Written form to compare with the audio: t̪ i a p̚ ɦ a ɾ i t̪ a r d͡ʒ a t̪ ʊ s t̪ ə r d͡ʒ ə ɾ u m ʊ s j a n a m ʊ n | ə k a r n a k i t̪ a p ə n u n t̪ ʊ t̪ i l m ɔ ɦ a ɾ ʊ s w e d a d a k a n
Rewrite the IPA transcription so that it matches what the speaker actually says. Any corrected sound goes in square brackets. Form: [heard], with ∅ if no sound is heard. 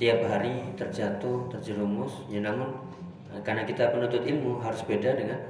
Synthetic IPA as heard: t̪ i a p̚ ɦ a ɾ i t̪ [ə] r d͡ʒ a t̪ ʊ [h] t̪ ə r d͡ʒ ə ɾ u m ʊ s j a n a m ʊ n | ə k a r n a k i t̪ a p ə n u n t̪ ʊ t̪ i l m [u] ɦ a ɾ ʊ s [b] e d a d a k a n